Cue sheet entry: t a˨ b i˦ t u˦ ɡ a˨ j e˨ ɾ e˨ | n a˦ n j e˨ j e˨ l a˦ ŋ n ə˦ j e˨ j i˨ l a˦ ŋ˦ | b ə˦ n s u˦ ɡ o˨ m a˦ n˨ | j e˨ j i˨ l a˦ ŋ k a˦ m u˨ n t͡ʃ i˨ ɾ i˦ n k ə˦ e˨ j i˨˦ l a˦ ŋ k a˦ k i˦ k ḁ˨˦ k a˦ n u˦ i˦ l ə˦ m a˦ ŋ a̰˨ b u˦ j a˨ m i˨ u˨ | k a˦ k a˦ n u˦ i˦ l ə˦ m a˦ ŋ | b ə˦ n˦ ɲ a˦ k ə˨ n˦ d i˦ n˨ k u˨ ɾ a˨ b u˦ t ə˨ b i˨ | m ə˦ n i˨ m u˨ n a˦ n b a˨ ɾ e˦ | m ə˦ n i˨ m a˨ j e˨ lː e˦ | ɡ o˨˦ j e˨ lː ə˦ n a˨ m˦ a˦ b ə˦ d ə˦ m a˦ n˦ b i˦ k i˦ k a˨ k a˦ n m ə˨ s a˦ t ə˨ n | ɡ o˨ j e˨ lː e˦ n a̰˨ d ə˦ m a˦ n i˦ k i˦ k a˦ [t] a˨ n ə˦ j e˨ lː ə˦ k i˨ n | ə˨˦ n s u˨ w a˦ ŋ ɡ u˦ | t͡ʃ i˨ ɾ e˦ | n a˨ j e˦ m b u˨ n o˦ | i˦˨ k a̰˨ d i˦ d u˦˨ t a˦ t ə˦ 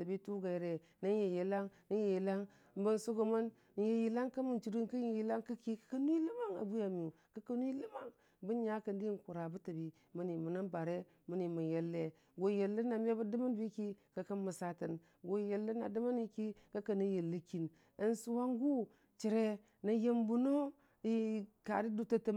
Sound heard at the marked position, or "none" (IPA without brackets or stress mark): k